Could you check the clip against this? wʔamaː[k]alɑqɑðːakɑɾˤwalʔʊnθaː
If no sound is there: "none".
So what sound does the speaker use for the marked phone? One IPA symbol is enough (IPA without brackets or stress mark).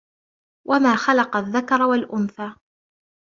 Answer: x